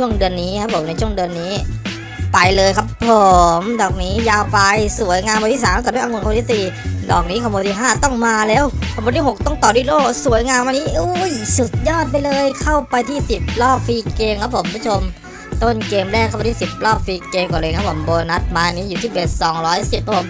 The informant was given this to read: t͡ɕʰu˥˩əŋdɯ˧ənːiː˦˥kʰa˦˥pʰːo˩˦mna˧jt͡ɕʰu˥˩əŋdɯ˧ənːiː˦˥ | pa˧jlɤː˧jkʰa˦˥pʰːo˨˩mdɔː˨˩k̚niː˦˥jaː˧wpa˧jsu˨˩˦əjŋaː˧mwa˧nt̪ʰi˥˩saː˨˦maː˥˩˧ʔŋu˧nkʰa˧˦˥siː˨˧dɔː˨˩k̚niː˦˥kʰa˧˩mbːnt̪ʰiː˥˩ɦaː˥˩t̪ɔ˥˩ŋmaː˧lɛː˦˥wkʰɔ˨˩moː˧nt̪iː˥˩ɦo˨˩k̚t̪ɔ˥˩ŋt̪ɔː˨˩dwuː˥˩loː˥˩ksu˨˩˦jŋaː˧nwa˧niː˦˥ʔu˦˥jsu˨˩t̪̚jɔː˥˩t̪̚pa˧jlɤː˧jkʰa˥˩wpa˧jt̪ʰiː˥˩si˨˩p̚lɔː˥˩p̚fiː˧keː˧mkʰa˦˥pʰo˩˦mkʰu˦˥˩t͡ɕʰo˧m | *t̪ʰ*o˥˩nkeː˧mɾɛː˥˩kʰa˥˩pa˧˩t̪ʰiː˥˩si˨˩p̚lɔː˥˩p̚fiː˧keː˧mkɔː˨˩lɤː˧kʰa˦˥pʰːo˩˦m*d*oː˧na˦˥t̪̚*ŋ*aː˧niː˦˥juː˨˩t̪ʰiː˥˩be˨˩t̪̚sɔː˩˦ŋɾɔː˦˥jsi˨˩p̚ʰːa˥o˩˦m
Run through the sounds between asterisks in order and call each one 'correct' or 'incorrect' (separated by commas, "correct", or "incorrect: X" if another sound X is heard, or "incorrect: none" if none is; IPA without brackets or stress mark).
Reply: incorrect: t̪, incorrect: b, incorrect: m